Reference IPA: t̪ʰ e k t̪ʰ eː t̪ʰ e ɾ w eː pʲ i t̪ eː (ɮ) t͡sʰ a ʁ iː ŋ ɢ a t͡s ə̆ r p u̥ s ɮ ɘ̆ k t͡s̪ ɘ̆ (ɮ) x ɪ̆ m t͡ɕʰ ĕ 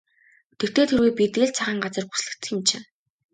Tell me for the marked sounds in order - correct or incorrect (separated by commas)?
correct, incorrect